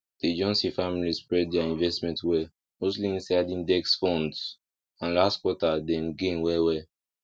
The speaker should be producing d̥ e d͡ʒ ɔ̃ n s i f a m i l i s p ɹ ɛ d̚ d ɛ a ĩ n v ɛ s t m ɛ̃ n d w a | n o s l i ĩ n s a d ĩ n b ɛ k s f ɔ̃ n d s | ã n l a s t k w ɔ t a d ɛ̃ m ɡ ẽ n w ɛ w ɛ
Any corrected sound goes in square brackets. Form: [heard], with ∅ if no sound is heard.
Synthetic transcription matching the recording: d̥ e d͡ʒ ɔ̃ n s i f a m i l i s p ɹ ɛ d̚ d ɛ a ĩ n v ɛ s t m ɛ̃ n [t] w [ɛ] | [m] o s l i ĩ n s a d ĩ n [d] ɛ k s f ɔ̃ n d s | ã n l a s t k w ɔ t a d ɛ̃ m ɡ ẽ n w ɛ w ɛ